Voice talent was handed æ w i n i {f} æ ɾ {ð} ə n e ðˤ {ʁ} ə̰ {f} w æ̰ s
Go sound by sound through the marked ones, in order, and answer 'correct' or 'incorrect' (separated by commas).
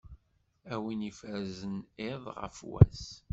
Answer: correct, incorrect, correct, correct